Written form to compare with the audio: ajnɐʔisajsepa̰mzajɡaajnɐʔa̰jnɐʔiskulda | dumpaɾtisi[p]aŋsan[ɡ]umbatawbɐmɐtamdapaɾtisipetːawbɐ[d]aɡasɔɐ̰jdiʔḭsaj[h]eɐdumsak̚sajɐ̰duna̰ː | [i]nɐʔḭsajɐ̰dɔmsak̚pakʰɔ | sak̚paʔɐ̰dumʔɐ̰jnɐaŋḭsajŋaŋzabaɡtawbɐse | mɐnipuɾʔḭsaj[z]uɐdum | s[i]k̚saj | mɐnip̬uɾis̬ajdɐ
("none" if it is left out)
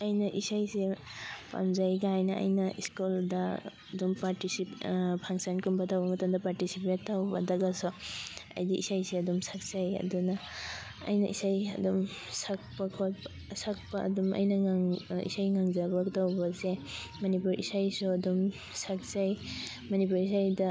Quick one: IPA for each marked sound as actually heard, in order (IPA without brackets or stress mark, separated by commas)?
pʰ, k, d, s, j, s, a